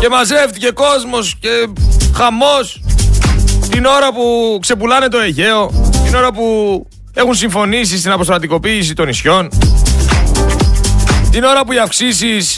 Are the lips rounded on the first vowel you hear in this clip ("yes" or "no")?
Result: no